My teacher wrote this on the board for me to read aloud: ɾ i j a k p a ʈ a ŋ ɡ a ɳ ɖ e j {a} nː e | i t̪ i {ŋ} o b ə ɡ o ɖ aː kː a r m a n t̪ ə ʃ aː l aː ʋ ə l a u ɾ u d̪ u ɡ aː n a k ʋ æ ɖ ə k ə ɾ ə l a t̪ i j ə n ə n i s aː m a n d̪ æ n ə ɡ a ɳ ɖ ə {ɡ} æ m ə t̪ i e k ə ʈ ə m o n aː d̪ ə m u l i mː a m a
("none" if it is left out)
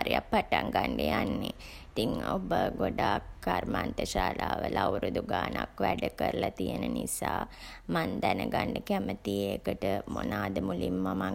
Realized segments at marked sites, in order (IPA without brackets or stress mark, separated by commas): a, ŋ, k